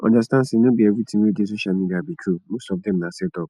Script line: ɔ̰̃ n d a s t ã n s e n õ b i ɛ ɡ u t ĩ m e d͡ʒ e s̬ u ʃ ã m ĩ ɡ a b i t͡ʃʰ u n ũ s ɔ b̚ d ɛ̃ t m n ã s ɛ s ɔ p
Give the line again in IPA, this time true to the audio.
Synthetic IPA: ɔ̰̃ n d a s t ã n s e n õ b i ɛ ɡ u t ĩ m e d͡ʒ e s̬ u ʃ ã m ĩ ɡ a b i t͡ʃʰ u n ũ s ɔ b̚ d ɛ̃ m n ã s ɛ t ɔ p